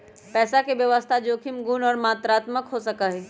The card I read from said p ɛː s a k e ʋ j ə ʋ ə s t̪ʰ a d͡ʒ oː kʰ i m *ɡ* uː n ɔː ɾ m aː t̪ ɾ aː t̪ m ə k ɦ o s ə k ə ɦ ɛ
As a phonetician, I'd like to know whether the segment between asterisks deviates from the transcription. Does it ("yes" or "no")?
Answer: no